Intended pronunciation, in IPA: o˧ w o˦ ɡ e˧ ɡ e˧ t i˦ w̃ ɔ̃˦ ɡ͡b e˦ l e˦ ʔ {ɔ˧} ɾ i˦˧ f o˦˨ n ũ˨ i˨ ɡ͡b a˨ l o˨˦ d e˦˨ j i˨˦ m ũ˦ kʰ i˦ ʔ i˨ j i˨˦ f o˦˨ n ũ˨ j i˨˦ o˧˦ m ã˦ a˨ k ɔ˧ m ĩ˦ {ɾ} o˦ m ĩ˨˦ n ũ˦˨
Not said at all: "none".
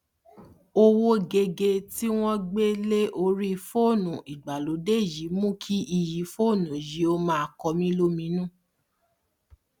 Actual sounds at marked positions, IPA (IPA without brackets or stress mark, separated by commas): o˧, l